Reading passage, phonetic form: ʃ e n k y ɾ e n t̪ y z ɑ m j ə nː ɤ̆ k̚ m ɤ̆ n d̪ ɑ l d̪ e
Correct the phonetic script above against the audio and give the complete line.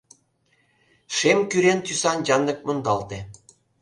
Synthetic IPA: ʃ e m k y ɾ e n t̪ y s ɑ n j ɑ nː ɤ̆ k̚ m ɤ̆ n d̪ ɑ l t̪ e